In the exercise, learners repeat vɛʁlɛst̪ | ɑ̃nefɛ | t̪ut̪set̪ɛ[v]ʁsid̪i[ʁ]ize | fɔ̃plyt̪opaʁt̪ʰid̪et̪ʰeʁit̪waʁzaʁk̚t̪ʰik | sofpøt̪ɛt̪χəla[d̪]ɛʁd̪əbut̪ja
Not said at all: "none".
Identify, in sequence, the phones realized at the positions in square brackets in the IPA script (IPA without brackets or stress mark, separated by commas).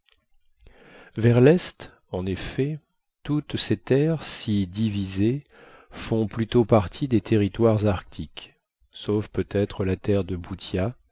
none, v, t̪